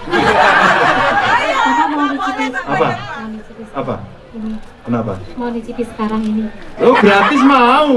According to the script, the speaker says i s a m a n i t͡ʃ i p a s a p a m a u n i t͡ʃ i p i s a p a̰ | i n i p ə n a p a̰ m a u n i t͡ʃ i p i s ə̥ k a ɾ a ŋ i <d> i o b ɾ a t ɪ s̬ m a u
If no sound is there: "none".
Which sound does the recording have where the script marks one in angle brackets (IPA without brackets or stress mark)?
n